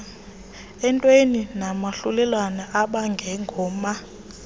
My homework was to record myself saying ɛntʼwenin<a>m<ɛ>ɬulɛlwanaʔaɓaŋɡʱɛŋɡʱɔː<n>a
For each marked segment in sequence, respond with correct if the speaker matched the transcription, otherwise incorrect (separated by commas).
correct, incorrect, incorrect